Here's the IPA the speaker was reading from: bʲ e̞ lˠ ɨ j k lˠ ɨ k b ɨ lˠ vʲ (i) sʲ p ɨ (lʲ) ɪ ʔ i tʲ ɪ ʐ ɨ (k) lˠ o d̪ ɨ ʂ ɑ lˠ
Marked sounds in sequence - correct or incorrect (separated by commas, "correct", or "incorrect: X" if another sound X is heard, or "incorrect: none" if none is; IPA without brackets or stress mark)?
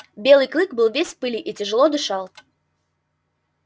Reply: incorrect: e, correct, incorrect: none